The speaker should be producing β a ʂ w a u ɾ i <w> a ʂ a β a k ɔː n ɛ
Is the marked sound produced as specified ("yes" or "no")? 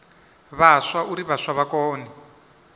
no